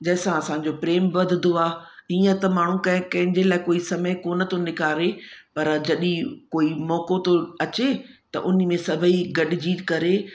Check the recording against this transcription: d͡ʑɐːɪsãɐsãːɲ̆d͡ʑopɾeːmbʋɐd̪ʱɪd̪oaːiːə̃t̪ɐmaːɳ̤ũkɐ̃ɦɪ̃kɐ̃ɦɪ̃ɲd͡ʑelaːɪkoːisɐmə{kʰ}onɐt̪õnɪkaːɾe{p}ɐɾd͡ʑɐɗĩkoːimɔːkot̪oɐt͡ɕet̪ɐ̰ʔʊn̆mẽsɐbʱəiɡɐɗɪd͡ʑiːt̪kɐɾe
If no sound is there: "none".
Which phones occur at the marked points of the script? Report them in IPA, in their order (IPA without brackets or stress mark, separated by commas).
k, p